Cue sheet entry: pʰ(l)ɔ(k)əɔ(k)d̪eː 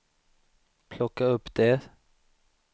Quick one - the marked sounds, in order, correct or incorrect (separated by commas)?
correct, correct, incorrect